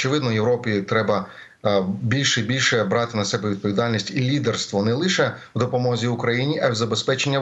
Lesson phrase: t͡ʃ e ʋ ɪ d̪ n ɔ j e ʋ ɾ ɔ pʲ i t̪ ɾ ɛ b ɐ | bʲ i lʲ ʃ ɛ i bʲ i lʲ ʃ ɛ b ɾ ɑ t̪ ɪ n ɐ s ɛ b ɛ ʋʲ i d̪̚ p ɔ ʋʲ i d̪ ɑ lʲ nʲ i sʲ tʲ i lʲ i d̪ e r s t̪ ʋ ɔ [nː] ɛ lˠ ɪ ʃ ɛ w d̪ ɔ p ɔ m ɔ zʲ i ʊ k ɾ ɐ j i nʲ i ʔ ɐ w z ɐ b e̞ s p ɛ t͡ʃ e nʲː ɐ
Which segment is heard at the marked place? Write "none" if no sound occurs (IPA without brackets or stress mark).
n